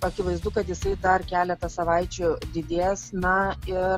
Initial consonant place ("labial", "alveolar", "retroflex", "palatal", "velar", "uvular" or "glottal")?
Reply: velar